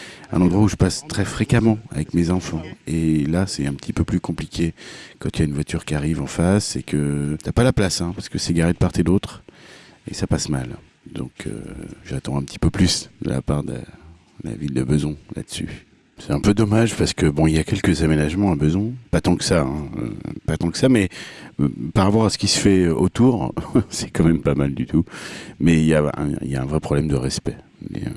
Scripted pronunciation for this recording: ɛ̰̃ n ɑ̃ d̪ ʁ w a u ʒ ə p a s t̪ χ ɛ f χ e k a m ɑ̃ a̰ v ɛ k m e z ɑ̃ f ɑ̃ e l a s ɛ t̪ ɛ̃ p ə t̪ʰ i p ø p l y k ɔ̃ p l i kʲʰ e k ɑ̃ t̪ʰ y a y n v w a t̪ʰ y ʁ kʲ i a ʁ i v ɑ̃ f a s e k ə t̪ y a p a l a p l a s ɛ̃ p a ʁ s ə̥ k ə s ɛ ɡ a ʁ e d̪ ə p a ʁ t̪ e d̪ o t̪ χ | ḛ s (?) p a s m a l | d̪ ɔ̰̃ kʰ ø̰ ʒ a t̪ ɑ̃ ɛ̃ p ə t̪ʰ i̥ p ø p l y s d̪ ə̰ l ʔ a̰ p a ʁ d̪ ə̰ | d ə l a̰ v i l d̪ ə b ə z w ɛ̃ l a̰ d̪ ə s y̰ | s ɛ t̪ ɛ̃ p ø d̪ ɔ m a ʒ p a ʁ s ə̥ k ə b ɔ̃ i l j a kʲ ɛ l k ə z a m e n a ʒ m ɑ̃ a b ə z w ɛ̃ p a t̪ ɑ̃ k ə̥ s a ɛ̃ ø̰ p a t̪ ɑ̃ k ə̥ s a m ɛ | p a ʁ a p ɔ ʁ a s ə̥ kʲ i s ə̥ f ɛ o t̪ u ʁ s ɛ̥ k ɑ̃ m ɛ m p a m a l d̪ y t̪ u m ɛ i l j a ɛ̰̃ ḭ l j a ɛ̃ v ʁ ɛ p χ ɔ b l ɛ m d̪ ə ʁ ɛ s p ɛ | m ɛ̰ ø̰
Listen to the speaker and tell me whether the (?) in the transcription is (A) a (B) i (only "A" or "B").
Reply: A